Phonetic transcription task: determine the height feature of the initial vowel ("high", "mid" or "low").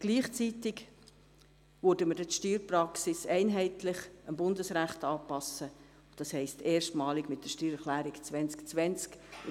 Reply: high